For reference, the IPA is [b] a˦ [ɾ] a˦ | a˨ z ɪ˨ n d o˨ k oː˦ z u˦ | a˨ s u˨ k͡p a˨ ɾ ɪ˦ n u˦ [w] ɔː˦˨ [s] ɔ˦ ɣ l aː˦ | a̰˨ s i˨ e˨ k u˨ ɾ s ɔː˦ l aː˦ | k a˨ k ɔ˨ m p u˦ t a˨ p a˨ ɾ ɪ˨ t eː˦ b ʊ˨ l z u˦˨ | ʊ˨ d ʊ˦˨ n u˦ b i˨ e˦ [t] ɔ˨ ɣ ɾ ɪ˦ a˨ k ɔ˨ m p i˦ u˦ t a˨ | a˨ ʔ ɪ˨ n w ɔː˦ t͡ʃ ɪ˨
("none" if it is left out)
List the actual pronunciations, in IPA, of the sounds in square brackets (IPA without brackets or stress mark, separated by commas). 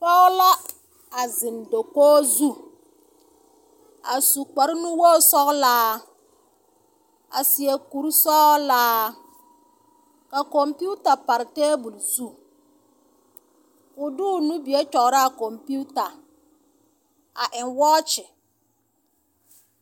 p, l, w, s, t͡ʃ